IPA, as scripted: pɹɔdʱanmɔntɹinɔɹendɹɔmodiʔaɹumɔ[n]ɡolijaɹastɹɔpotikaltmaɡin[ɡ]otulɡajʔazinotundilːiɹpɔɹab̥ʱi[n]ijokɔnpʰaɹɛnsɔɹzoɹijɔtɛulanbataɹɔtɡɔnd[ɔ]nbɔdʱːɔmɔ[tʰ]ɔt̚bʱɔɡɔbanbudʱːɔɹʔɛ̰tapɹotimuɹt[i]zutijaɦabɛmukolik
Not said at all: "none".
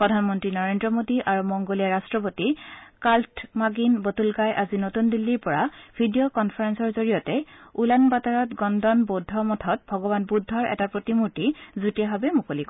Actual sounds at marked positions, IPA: ŋ, b, d, ɔ, tʰ, i

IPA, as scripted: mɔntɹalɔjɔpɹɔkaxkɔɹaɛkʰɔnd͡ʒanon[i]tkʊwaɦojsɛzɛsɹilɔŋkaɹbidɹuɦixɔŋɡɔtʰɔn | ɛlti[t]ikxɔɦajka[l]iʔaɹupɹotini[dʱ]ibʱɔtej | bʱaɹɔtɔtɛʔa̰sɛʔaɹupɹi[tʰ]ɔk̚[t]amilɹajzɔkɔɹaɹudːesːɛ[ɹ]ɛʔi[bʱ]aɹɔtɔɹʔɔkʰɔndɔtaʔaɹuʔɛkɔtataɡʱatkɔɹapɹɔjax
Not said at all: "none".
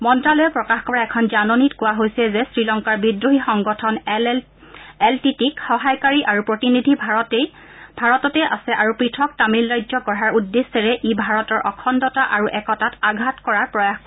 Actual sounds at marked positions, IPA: i, t, ɹ, dʱ, tʰ, t, ɹ, bʱ

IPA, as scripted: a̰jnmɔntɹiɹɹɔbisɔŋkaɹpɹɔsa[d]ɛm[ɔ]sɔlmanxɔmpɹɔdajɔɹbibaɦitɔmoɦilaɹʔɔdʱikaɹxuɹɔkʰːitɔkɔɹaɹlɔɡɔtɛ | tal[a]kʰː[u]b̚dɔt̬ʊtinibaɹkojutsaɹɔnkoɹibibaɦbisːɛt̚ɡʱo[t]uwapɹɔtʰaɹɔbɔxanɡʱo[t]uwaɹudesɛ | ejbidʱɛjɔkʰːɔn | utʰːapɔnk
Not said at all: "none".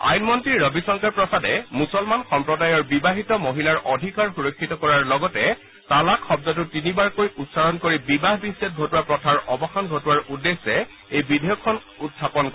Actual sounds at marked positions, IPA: d, u, a, ɔ, t, t

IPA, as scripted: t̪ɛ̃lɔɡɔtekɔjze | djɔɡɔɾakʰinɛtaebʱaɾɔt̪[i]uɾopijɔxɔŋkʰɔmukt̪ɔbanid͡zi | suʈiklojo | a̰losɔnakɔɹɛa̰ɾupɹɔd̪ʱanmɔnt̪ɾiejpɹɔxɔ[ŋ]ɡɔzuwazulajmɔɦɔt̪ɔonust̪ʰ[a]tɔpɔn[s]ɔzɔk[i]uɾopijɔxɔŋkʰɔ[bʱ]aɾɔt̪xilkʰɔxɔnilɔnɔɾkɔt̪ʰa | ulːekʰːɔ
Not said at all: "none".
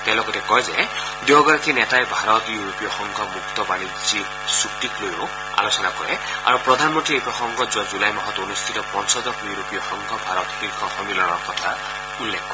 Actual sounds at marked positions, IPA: j, ŋ, i, s, j, bʱ

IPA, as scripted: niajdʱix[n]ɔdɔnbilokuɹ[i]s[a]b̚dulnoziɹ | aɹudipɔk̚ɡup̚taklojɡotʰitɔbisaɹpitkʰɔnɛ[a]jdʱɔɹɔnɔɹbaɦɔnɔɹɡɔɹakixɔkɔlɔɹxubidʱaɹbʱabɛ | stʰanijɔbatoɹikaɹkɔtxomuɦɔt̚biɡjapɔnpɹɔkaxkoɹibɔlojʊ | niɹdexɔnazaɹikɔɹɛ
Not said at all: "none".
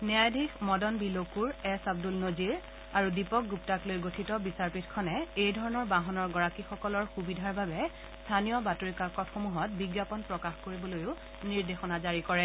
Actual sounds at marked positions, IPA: m, ɛ, a, e

